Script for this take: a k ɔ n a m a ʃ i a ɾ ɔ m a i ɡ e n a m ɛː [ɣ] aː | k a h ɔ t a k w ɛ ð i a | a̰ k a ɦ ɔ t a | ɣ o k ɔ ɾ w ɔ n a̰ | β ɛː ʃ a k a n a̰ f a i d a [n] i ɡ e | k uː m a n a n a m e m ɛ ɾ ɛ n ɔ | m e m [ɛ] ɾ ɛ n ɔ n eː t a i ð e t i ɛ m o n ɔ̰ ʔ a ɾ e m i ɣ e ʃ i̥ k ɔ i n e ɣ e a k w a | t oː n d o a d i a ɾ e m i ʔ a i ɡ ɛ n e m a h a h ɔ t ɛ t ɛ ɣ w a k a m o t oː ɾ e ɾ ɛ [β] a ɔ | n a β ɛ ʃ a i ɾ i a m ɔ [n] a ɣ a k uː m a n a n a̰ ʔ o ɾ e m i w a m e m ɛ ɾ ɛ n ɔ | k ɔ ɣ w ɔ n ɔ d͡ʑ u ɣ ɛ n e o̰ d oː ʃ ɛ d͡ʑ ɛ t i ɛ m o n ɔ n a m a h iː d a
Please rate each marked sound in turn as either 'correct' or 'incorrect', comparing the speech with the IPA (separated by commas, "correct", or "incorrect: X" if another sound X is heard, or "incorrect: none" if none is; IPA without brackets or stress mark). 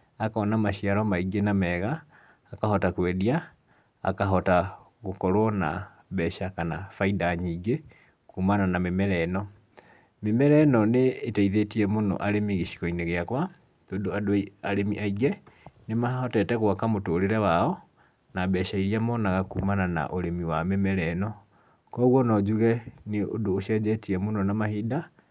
correct, incorrect: ɲ, correct, incorrect: w, correct